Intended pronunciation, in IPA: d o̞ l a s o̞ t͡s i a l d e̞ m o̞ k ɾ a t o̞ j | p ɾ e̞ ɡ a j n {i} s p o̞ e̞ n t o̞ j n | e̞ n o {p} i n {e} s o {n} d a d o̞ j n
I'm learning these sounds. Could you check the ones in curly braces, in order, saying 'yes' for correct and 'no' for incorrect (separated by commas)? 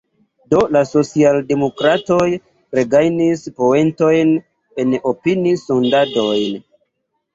yes, yes, no, yes